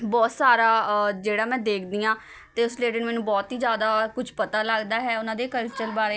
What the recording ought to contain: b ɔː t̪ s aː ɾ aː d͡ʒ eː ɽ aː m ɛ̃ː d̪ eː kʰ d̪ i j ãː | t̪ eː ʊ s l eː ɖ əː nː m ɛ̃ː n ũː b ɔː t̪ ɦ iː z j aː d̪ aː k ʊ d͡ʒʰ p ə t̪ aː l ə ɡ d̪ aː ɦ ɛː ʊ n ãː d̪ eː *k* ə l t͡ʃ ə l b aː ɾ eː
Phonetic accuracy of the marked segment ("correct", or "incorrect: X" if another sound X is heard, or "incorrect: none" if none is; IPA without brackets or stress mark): correct